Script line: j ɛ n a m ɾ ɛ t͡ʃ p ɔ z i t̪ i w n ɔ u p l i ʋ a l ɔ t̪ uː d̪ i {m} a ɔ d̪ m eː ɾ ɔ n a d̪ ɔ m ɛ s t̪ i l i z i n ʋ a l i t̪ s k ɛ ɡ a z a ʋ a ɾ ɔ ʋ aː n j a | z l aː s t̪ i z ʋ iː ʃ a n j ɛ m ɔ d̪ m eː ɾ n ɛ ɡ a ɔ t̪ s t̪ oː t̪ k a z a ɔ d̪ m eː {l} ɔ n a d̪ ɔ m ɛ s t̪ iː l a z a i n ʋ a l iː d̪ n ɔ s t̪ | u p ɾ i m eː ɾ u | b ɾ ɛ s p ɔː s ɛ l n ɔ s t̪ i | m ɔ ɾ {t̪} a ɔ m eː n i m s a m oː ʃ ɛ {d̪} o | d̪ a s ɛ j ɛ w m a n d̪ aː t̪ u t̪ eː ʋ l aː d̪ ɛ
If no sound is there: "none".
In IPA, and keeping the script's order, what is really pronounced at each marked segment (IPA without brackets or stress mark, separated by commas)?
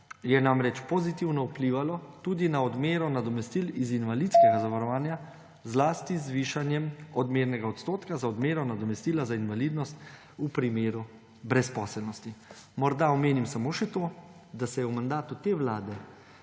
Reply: n, ɾ, d̪, t̪